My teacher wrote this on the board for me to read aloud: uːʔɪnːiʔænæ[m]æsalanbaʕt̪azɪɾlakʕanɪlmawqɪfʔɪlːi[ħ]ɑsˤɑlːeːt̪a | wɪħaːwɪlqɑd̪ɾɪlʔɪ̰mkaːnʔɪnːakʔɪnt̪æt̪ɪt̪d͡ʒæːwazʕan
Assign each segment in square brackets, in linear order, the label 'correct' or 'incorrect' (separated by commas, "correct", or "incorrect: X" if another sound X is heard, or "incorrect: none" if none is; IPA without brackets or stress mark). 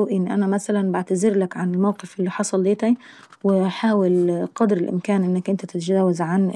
correct, correct